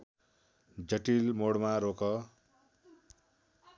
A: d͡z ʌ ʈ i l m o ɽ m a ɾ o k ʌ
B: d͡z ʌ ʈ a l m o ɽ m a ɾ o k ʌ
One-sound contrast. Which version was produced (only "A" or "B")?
A